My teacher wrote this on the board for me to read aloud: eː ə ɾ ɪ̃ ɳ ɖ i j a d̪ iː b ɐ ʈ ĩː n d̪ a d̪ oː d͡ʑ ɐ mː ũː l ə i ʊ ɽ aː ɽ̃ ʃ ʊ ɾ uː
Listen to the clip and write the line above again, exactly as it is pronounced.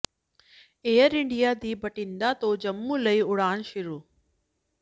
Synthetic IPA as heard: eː ə ɾ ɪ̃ ɳ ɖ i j a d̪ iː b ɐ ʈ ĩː n d̪ a t̪ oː d͡ʑ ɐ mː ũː l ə i ʊ ɽ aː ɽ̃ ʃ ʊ ɾ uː